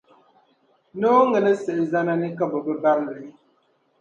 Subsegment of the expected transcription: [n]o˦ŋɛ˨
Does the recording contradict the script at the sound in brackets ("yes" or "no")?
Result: no